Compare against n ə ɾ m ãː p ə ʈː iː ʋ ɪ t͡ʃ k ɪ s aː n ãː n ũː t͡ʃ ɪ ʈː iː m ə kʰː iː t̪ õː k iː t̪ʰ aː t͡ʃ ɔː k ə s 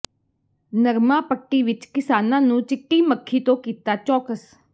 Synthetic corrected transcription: n ə ɾ m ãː p ə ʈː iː ʋ ɪ t͡ʃ k ɪ s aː n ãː n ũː t͡ʃ ɪ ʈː iː m ə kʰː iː t̪ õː k iː t̪ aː t͡ʃ ɔː k ə s